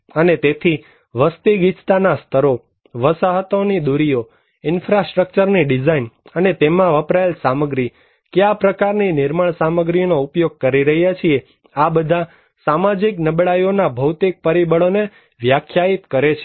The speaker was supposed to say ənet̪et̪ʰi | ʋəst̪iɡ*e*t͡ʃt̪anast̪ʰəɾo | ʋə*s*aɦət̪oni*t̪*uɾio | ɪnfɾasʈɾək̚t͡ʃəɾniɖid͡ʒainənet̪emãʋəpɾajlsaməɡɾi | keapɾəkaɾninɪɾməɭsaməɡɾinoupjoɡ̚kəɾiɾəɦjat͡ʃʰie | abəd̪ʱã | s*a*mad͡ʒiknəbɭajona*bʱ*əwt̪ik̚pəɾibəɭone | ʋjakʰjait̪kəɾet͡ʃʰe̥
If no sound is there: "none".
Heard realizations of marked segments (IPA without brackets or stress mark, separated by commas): i, s, d̪, a, bʱ